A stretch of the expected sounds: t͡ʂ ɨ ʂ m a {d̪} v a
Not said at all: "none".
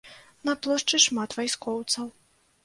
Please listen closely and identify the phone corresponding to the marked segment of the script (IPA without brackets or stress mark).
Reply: t̪